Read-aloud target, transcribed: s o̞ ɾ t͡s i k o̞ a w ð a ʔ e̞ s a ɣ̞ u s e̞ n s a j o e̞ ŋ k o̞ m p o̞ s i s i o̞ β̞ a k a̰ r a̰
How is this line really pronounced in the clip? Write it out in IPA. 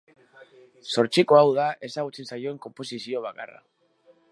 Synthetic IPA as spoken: s o̞ ɾ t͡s i k o̞ a w ð a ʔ e̞ s a ɣ̞ u t͡s e̞ n s a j o e̞ ŋ k o̞ m p o̞ s i s i o̞ β̞ a k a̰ r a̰